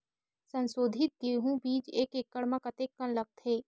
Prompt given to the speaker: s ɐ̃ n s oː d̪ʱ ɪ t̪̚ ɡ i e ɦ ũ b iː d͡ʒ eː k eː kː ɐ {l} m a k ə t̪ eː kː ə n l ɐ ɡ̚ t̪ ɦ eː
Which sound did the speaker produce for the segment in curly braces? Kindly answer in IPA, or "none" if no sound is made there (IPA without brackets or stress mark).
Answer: ɽ